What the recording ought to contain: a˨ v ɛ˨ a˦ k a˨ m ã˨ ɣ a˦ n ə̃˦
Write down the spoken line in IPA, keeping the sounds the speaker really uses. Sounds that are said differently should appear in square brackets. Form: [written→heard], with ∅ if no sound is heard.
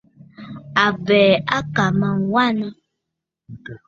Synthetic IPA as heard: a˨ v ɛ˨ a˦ k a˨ m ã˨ [ɣ→w] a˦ n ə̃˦